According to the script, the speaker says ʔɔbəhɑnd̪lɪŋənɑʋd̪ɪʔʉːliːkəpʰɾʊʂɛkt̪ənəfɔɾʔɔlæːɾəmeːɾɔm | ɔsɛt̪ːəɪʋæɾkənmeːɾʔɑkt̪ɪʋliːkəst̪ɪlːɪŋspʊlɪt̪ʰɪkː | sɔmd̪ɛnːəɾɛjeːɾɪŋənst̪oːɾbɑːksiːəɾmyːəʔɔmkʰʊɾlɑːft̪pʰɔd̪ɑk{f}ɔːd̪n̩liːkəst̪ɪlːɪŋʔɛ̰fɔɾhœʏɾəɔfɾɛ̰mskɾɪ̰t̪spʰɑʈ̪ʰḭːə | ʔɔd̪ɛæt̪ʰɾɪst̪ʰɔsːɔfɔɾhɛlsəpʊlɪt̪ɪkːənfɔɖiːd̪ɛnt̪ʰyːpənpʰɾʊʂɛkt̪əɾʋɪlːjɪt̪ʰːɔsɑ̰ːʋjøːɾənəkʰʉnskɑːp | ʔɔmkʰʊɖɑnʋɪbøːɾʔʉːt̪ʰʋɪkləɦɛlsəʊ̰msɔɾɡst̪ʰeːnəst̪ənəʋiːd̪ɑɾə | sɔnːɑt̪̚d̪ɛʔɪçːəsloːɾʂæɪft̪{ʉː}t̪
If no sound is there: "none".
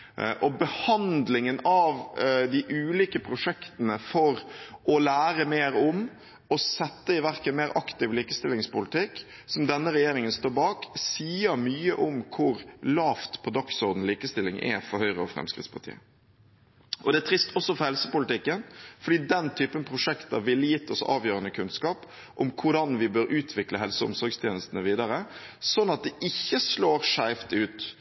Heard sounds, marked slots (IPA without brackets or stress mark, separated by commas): s, ʉː